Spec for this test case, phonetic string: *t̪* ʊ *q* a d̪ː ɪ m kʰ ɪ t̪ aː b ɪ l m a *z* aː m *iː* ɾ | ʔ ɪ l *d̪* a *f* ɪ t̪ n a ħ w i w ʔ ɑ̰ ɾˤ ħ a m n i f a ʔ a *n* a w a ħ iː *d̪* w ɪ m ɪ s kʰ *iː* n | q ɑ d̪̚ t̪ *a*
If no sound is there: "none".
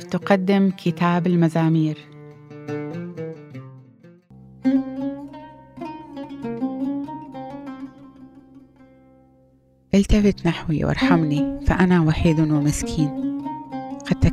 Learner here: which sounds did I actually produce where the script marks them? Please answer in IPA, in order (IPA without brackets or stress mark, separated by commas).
t̪, q, z, iː, t̪, f, n, d̪, iː, a